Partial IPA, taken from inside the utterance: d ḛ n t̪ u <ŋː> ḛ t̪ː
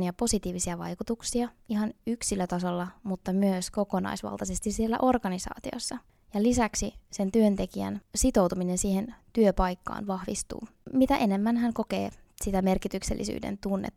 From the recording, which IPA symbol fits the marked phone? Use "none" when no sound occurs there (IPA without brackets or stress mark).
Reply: nː